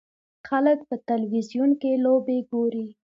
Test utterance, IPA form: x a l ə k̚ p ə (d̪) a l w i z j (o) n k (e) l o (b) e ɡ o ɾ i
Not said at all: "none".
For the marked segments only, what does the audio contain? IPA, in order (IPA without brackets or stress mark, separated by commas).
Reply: t̪, u, e, b